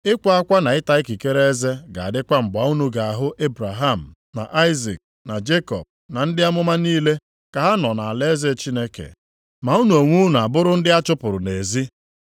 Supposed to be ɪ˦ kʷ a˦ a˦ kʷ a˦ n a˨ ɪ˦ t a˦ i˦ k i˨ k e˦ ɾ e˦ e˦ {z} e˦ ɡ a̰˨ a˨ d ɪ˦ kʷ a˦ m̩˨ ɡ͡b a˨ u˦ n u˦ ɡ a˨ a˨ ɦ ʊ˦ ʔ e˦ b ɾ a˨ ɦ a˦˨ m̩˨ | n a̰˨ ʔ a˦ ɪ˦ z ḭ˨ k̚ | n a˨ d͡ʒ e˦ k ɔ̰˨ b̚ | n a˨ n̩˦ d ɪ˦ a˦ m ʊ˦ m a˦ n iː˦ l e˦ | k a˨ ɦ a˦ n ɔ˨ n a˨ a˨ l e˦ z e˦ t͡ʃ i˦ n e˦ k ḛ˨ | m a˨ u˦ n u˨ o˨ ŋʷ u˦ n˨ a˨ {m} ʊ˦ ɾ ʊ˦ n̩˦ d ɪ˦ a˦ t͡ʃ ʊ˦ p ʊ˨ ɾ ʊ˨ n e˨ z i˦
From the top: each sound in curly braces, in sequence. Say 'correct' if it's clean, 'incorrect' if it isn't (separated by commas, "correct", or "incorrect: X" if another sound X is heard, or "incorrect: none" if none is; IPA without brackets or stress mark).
correct, incorrect: b